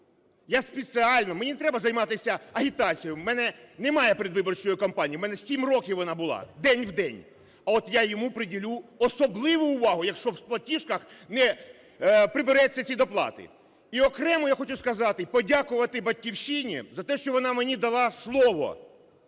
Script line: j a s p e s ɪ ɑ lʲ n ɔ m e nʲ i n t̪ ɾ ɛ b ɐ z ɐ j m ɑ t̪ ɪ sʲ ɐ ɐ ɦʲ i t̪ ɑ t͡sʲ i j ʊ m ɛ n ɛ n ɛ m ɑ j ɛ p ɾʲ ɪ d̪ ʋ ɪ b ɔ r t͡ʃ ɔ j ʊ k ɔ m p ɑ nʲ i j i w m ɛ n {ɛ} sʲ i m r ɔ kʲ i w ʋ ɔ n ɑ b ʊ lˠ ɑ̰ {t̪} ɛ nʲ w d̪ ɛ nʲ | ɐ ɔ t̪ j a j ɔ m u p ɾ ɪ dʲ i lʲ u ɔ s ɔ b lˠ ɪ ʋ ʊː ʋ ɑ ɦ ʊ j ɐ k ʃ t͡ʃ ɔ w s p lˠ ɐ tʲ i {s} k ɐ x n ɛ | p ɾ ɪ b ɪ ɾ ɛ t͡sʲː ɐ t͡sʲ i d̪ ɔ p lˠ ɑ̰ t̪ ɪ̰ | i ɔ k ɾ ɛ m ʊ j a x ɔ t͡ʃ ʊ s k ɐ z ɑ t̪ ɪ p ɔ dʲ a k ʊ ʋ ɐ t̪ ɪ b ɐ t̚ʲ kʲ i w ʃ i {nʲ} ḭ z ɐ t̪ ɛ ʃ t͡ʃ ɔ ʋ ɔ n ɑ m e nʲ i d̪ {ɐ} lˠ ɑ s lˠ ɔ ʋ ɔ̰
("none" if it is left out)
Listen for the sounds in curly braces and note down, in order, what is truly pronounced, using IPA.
ɛ, d̪, ʃ, nʲ, ɐ

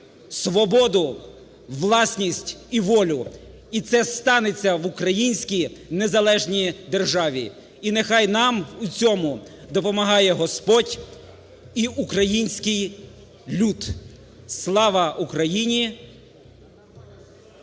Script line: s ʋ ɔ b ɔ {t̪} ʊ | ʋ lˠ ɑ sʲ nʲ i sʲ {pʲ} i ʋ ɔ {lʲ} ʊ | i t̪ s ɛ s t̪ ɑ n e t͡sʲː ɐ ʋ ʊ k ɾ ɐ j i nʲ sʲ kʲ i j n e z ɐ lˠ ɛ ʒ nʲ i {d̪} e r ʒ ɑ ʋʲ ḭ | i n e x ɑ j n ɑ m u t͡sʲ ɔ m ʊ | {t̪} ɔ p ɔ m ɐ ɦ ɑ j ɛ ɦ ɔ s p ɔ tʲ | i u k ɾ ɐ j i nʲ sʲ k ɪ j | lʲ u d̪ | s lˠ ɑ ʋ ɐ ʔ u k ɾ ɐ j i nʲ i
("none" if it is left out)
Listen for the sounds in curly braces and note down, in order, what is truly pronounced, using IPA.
d̪, tʲ, lʲ, d̪, d̪

